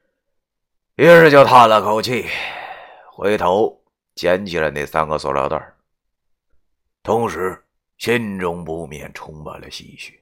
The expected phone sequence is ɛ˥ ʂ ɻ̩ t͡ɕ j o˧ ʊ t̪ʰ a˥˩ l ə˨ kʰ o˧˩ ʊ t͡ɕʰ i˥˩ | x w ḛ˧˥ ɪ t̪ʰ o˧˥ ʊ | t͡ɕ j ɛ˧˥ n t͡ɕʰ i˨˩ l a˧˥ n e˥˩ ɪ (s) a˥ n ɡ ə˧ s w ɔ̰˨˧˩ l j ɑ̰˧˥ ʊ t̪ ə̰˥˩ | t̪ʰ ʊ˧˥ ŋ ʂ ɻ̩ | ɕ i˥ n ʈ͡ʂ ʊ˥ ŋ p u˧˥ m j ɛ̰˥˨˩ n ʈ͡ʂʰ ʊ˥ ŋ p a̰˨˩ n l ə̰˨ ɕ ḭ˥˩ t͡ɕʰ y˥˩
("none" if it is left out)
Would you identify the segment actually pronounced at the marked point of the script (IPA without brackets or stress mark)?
s